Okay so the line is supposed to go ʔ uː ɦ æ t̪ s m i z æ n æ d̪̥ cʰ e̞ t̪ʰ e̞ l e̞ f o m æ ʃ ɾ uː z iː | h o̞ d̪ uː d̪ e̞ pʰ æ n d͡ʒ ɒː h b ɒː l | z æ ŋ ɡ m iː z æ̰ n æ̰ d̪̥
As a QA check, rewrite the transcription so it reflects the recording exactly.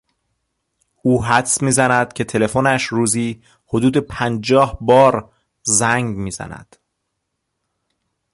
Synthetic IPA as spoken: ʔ uː ɦ æ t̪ s m iː z æ n æ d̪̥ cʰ e̞ t̪ʰ e̞ l e̞ f o n æ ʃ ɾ uː z iː | h o̞ d̪ uː d̪ e̞ pʰ æ n d͡ʒ ɒː h b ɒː ɾ | z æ ŋ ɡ m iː z æ̰ n æ̰ d̪̥